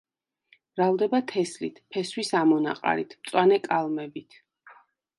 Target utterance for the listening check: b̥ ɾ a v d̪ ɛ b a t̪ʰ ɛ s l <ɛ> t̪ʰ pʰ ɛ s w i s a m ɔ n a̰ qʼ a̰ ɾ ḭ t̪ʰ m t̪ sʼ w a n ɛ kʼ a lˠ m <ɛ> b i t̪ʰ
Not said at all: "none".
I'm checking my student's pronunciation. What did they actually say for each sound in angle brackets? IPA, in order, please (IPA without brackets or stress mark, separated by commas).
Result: i, ɛ